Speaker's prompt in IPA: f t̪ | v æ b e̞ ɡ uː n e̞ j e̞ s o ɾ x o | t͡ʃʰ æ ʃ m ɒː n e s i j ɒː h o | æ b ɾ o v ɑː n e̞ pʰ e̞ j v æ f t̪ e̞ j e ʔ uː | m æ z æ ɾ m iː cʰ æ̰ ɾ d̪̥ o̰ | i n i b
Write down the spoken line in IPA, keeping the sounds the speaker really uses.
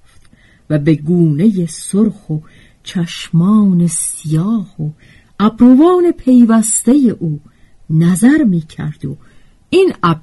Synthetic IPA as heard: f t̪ | v æ b e̞ ɡ uː n e̞ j e̞ s o ɾ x o | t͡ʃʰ æ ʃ m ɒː n e s i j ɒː h o | æ b ɾ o v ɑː n e̞ pʰ e̞ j v æ s t̪ e̞ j e ʔ uː | n æ z æ ɾ m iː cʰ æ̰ ɾ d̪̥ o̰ | i n æ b